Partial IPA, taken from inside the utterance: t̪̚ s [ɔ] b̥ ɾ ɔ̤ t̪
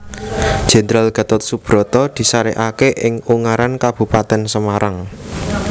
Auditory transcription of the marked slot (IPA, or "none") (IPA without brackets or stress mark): u